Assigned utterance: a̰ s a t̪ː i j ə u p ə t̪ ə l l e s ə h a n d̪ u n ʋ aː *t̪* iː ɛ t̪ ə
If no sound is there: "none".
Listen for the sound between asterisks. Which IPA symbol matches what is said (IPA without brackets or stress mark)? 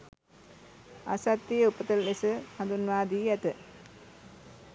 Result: d̪